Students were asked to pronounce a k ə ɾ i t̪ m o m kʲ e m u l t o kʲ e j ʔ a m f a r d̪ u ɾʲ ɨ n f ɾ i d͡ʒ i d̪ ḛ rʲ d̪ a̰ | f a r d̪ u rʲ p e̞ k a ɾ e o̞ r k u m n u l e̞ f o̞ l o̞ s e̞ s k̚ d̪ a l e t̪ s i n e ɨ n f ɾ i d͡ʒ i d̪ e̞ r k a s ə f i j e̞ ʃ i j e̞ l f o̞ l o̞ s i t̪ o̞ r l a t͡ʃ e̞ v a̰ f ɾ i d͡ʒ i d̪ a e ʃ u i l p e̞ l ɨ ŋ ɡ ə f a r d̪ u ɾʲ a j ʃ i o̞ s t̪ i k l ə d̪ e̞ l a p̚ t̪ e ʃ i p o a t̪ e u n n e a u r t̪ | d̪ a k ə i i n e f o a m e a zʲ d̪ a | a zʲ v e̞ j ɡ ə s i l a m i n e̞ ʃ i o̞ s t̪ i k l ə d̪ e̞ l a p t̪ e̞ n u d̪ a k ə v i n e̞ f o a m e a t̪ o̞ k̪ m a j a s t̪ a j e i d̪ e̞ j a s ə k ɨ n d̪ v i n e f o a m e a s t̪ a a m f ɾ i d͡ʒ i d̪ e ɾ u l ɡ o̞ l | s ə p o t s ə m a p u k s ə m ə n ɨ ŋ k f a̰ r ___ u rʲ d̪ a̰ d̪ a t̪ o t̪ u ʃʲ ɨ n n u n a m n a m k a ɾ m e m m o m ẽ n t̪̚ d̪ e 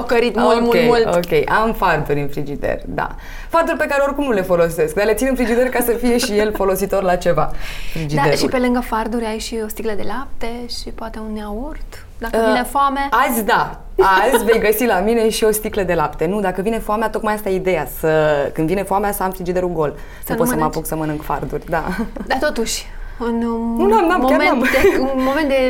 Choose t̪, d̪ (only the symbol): d̪